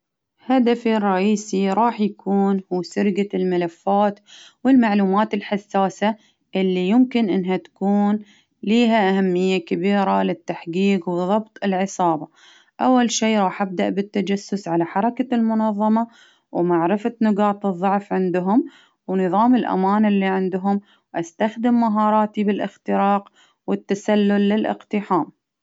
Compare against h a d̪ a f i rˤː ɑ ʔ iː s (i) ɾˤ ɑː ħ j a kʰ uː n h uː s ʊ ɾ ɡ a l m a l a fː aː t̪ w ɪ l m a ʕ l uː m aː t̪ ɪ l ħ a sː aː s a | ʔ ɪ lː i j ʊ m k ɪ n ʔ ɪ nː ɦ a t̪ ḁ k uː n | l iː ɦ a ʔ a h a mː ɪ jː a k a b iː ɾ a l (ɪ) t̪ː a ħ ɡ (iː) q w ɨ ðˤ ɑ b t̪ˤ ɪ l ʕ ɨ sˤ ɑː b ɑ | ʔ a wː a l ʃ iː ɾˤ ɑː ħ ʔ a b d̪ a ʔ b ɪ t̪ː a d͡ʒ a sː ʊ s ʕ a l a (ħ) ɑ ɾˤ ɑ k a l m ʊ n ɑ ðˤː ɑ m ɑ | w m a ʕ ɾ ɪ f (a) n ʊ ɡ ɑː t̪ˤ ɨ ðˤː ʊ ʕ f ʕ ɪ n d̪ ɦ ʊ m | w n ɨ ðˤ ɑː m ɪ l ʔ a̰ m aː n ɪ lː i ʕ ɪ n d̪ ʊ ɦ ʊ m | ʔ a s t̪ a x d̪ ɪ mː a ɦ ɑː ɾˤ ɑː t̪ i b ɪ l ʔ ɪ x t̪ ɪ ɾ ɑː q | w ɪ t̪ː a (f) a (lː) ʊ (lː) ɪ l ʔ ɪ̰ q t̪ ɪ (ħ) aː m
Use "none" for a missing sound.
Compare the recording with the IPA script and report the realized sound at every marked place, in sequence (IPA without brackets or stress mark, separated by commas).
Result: i, ɪ, iː, ħ, a, s, lː, lː, ħ